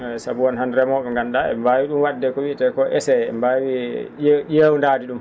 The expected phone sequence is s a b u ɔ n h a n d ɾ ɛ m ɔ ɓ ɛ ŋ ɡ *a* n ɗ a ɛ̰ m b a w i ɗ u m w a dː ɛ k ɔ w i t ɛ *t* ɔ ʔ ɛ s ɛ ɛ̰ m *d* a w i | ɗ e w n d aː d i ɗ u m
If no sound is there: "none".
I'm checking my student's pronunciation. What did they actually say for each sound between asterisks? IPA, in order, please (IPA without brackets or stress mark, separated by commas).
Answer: a, k, b